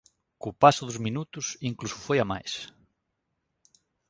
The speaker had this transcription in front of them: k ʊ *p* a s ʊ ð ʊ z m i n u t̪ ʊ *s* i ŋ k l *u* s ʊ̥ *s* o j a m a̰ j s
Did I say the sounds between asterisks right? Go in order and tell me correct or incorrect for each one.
correct, correct, correct, incorrect: f

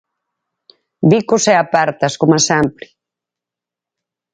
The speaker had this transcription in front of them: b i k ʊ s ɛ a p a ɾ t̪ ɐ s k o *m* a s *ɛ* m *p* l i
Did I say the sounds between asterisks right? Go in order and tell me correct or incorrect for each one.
correct, incorrect: a, correct

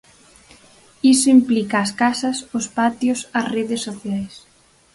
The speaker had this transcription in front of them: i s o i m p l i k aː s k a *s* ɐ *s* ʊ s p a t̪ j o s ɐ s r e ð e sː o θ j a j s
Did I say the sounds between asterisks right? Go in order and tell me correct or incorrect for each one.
correct, correct

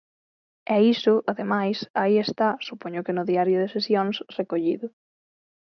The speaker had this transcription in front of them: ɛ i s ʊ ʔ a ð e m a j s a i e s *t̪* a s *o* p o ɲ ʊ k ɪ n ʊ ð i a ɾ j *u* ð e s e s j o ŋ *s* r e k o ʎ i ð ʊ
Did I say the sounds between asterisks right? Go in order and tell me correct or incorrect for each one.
correct, incorrect: u, incorrect: ʊ, correct

